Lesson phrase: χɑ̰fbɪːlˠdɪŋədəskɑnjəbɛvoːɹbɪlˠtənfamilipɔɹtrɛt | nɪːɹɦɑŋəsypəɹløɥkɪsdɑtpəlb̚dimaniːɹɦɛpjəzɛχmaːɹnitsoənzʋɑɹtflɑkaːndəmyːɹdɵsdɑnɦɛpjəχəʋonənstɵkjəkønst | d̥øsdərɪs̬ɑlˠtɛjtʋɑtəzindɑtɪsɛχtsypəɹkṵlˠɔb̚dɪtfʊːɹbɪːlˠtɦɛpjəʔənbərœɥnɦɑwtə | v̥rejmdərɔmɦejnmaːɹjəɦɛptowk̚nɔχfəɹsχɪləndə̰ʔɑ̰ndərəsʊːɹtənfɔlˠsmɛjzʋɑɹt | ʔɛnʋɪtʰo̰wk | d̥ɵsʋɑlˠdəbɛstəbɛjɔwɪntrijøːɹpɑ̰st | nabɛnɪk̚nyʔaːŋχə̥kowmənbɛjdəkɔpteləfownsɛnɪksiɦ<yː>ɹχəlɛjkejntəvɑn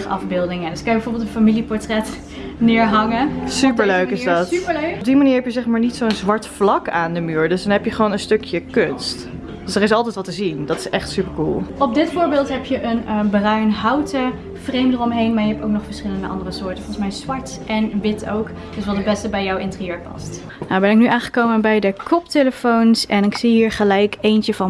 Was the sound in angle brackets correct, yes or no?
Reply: no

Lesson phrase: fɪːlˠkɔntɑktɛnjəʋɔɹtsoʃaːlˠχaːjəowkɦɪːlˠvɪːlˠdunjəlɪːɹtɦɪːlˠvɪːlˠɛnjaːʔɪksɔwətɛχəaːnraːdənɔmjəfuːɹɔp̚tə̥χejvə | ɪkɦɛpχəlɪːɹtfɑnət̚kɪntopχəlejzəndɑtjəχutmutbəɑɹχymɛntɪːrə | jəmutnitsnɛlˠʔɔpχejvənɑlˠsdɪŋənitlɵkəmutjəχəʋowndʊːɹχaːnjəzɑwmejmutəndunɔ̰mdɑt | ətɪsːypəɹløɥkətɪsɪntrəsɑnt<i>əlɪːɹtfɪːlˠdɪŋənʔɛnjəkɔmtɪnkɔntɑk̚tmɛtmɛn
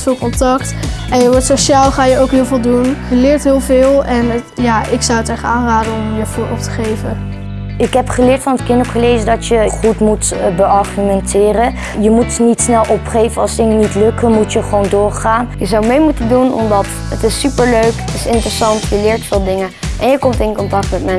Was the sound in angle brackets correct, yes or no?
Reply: no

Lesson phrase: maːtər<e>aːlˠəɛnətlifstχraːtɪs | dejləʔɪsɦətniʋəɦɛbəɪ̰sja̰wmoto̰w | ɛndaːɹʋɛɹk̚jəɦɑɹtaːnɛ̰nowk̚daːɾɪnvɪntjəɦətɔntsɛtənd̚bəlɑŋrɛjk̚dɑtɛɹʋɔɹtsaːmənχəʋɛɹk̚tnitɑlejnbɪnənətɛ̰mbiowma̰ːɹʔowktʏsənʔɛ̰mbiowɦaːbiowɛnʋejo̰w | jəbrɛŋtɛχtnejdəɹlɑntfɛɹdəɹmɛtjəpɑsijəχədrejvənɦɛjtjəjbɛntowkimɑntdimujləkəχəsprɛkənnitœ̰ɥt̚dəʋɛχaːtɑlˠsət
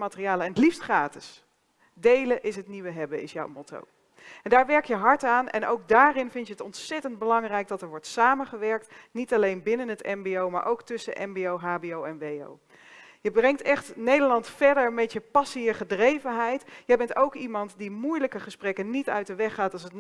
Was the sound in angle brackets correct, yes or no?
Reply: no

